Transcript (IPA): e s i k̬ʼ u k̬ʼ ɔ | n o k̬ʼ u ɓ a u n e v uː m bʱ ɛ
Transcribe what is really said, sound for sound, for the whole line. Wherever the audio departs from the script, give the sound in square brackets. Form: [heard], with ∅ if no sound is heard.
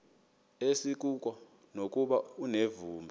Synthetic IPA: e s i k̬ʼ u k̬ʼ ɔ | n o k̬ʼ u ɓ a u n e v uː m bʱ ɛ